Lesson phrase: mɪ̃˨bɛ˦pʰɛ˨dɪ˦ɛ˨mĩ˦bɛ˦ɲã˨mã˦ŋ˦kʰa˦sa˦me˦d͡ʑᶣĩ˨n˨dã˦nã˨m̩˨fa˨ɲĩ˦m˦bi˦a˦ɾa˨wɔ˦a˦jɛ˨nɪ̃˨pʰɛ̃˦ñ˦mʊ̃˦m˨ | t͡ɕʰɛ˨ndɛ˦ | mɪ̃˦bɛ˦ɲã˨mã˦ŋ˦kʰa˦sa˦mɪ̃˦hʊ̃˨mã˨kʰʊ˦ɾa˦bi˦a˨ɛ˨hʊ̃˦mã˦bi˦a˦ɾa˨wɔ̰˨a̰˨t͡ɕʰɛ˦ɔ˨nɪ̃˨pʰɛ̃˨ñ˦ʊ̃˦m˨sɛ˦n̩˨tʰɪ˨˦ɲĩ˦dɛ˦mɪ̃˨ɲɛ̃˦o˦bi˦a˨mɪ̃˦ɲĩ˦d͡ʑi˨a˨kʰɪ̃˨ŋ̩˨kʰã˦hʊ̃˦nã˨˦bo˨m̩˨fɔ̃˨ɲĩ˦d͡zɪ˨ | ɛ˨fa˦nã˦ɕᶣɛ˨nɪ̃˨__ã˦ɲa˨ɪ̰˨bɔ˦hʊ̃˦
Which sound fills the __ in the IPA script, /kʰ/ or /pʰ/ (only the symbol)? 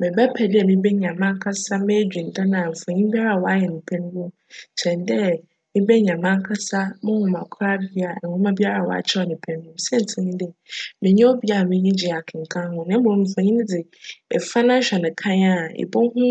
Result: kʰ